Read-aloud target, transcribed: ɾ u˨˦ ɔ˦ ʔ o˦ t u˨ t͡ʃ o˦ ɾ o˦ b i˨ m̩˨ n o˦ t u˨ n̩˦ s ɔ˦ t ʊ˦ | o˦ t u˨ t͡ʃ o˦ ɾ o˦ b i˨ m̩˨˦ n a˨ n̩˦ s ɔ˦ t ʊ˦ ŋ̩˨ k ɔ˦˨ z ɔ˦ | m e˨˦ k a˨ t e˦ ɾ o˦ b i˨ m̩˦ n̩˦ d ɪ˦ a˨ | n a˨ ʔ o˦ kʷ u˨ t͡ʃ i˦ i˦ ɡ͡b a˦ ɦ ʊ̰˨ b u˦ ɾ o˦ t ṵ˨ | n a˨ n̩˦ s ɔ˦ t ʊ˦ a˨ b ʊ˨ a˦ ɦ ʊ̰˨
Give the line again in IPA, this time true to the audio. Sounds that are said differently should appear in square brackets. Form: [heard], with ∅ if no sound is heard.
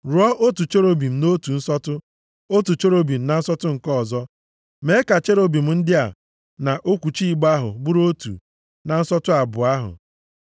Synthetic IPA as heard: ɾ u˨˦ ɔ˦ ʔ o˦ t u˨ t͡ʃ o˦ ɾ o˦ b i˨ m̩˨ n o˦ t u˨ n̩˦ s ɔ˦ t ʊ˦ | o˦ t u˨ t͡ʃ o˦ ɾ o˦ b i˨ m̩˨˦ n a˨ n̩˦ s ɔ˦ t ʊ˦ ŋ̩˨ k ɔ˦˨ z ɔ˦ | m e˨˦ k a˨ [t͡ʃ] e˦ ɾ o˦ b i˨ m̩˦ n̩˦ d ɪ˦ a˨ | n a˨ ʔ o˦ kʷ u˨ t͡ʃ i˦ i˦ ɡ͡b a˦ ɦ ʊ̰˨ b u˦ ɾ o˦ t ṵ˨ | n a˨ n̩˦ s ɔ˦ t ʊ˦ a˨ b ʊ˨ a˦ ɦ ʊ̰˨